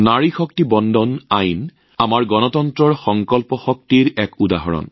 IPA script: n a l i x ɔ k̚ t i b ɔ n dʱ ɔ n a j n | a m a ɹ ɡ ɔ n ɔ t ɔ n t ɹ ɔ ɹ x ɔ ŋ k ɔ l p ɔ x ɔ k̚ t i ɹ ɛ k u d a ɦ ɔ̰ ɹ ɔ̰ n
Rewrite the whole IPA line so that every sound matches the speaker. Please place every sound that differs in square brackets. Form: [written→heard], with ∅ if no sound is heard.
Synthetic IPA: n a [l→ɹ] i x ɔ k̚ t i b ɔ n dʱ ɔ n a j n | a m a ɹ ɡ ɔ n ɔ t ɔ n t ɹ ɔ ɹ x ɔ ŋ k ɔ l p ɔ x ɔ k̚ t i ɹ ɛ k u d a ɦ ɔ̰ ɹ ɔ̰ n